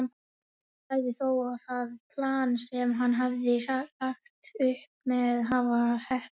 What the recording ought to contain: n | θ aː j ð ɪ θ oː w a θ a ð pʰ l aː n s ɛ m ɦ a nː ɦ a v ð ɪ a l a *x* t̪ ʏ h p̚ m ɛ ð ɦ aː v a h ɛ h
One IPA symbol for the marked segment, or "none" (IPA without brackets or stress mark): x